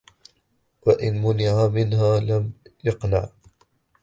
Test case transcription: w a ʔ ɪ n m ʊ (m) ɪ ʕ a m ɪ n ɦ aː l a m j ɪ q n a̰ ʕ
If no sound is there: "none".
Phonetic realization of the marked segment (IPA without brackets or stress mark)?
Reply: n